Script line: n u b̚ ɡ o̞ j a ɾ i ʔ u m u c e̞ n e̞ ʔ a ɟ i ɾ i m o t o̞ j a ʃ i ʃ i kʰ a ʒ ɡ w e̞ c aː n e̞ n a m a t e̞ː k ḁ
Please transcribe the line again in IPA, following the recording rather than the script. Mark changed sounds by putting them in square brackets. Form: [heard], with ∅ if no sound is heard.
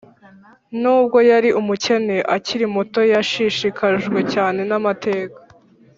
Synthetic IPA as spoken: n [uː] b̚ ɡ o̞ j a ɾ i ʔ u m u c e̞ n e̞ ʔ a [c] i ɾ i m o t o̞ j a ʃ i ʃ i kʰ a ʒ ɡ w e̞ c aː n e̞ n a m a t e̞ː k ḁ